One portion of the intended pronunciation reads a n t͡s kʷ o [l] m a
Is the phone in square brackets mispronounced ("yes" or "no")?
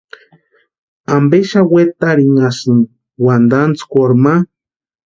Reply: yes